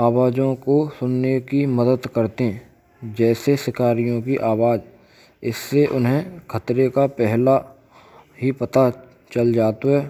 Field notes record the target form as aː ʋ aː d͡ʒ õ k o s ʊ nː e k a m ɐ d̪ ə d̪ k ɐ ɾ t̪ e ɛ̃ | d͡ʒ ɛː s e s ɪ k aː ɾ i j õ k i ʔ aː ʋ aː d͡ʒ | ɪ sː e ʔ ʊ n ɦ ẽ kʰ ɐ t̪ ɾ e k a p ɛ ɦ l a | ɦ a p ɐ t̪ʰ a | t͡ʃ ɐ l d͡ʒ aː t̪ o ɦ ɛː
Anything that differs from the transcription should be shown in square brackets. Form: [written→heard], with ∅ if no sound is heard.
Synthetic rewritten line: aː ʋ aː d͡ʒ õ k o s ʊ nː e k [a→i] m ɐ d̪ ə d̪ k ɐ ɾ t̪ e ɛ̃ | d͡ʒ ɛː s e s ɪ k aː ɾ i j õ k i ʔ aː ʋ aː d͡ʒ | ɪ sː e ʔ ʊ n ɦ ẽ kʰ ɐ t̪ ɾ e k a p ɛ ɦ l a | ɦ [a→i] p ɐ [t̪ʰ→t̪] a | t͡ʃ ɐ l d͡ʒ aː t̪ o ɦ ɛː

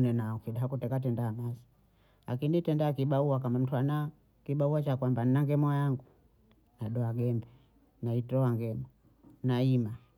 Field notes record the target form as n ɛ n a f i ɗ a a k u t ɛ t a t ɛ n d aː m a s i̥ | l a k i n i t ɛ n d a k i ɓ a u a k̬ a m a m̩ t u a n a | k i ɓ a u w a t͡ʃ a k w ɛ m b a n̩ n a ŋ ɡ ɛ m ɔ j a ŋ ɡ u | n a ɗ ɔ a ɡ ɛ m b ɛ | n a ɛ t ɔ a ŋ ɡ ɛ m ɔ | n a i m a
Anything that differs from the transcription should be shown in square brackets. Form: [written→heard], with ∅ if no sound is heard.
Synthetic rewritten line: n ɛ n a f i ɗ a a k u t ɛ [t→k] a t ɛ n d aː m a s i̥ | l a k i n i t ɛ n d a k i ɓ a u a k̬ a m a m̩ t u a n a | k i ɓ a u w a t͡ʃ a k w [ɛ→a] m b a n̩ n a ŋ ɡ ɛ m ɔ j a ŋ ɡ u | n a ɗ ɔ a ɡ ɛ m b ɛ | n a [ɛ→i] t ɔ a ŋ ɡ ɛ m ɔ | n a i m a

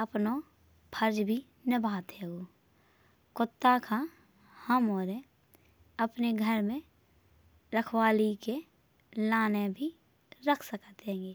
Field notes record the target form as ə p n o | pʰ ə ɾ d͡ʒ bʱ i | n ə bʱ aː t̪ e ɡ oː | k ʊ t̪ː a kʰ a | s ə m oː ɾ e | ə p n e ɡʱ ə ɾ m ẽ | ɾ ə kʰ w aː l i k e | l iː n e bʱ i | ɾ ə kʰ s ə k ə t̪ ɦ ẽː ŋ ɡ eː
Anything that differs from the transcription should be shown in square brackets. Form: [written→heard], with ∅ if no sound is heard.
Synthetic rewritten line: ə p n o | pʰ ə ɾ d͡ʒ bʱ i | n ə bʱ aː t̪ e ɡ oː | k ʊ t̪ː a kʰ a | [s→h] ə m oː ɾ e | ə p n e ɡʱ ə ɾ m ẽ | ɾ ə kʰ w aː l i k e | l [iː→aː] n e bʱ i | ɾ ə kʰ s ə k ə t̪ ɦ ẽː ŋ ɡ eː

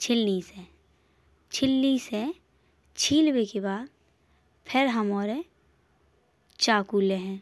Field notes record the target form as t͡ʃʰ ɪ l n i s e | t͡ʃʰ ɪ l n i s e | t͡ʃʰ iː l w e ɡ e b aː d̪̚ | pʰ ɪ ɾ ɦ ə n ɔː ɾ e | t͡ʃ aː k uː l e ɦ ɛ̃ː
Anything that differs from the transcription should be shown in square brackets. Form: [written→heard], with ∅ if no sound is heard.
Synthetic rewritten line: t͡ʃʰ ɪ l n i s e | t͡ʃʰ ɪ l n i s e | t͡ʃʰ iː l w e [ɡ→k] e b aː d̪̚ | pʰ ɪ ɾ ɦ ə [n→m] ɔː ɾ e | t͡ʃ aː k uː l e ɦ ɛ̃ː

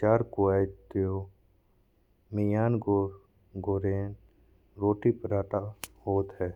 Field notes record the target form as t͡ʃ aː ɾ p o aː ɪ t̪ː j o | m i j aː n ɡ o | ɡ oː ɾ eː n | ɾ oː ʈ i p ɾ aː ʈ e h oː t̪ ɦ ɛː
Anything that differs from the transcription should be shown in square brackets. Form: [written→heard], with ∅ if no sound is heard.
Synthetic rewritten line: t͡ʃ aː ɾ [p→k] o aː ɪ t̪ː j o | m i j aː n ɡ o | ɡ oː ɾ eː n | ɾ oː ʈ i p ɾ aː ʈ [e→a] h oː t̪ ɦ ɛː

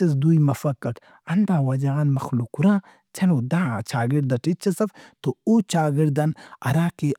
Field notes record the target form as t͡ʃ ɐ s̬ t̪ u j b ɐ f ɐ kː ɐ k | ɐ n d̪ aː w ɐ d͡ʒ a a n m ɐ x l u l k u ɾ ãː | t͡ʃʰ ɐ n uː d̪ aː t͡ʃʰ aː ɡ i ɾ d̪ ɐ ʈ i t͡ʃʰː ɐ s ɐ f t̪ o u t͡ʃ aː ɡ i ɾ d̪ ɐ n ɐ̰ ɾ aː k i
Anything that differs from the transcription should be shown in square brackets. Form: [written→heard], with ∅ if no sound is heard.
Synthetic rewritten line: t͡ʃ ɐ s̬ [t̪→d̪] u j [b→m] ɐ f ɐ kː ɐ k | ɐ n d̪ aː w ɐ d͡ʒ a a n m ɐ x l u [l→∅] k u ɾ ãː | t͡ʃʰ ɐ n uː d̪ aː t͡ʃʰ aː ɡ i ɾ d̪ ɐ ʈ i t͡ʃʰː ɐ s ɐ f t̪ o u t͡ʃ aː ɡ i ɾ d̪ ɐ n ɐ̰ ɾ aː k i

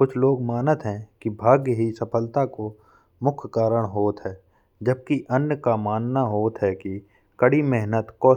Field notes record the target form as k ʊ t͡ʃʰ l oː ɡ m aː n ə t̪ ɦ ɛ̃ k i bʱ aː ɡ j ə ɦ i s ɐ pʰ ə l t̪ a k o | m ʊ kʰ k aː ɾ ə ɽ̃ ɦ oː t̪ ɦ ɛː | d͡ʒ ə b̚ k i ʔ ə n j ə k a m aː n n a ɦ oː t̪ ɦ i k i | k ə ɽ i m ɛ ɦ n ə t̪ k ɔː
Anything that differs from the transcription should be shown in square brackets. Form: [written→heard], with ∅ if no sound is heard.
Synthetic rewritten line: k ʊ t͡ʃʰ l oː ɡ m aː n ə t̪ ɦ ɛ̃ k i bʱ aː ɡ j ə ɦ i s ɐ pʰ ə l t̪ a k o | m ʊ kʰ k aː ɾ ə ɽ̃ ɦ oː t̪ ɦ ɛː | d͡ʒ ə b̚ k i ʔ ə n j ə k a m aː n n a ɦ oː t̪ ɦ [i→ɛ] k i | k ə ɽ i m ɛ ɦ n ə t̪ k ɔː

